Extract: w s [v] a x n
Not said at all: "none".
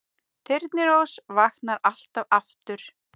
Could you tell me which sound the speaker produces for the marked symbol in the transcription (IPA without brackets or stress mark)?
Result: v